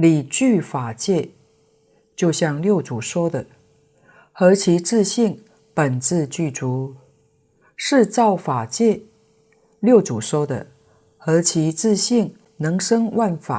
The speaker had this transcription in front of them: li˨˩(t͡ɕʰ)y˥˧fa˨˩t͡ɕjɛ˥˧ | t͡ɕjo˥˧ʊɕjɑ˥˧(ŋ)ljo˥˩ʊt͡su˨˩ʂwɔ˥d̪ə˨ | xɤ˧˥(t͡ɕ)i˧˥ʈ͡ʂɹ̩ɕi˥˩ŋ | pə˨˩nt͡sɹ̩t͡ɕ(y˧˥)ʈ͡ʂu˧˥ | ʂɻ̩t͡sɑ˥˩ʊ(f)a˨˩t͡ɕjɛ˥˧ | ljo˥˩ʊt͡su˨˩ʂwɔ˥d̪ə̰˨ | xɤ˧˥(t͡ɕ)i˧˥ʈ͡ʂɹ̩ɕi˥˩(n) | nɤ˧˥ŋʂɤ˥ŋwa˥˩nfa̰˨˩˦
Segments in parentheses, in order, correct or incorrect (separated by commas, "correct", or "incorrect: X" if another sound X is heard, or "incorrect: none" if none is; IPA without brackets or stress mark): incorrect: t͡ɕ, correct, incorrect: t͡ɕʰ, incorrect: y˥˩, correct, incorrect: t͡ɕʰ, incorrect: ŋ